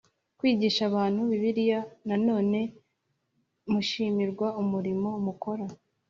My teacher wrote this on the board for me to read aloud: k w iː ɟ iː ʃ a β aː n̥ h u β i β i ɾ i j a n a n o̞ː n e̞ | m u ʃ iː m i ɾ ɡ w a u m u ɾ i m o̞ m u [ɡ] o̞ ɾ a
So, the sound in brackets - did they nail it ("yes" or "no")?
no